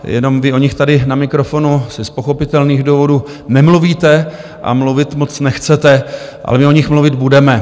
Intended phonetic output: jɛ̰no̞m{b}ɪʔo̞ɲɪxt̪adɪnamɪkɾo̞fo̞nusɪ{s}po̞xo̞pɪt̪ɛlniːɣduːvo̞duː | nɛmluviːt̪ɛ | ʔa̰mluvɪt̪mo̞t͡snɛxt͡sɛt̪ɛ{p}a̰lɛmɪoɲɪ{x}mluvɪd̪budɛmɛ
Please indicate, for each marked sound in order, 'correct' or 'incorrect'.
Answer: incorrect: v, correct, incorrect: ʔ, correct

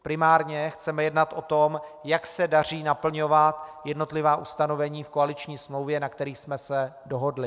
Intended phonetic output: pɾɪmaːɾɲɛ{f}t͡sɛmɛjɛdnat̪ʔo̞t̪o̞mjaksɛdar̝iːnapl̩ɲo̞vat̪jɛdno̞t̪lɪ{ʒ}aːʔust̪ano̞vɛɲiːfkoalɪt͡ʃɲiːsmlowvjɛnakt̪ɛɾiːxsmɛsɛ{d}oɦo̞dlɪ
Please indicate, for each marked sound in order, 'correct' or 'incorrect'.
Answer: incorrect: x, incorrect: v, correct

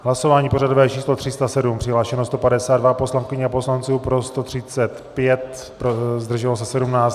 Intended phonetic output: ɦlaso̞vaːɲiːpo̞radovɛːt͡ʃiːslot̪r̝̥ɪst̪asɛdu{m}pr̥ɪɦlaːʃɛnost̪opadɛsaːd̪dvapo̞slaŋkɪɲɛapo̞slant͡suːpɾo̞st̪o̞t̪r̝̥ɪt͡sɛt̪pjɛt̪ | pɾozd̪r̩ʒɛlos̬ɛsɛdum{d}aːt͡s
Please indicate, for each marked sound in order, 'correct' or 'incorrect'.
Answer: correct, incorrect: n

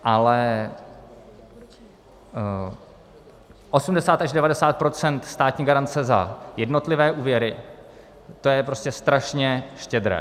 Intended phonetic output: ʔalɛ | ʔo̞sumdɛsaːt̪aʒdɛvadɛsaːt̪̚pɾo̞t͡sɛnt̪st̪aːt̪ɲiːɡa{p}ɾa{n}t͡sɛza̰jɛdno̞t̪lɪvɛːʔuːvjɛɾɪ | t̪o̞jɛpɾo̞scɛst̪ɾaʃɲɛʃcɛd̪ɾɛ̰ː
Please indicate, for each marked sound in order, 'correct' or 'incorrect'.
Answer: incorrect: none, correct

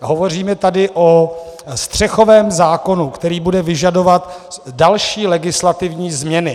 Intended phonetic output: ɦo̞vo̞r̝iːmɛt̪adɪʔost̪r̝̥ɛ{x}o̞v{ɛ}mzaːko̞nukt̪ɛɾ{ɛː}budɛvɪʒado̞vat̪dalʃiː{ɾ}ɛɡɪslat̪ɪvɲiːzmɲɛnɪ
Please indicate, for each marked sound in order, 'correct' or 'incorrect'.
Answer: correct, incorrect: ɛː, incorrect: iː, incorrect: l

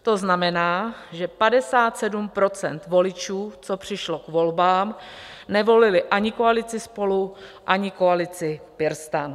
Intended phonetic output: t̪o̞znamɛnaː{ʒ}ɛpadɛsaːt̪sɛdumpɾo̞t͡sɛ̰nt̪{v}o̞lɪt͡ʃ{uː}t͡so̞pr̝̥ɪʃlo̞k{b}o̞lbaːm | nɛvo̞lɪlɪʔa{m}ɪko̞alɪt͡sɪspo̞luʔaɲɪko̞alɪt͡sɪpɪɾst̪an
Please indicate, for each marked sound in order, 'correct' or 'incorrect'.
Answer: correct, correct, correct, incorrect: v, incorrect: ɲ

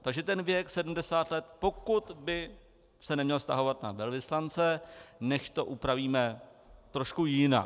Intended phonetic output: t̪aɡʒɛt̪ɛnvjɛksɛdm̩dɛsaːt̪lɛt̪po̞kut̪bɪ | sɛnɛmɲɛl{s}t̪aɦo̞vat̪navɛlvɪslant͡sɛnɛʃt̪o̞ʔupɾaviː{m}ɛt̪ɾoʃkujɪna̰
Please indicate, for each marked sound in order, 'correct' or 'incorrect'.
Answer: correct, correct

